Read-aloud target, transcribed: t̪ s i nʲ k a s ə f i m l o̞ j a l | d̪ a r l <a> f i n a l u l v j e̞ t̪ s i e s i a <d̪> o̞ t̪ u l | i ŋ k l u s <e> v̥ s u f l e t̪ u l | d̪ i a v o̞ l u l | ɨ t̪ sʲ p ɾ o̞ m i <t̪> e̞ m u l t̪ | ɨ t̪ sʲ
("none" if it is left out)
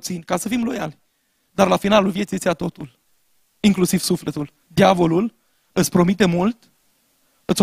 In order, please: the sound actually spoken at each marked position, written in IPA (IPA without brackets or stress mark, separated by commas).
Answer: a, t̪, i, t̪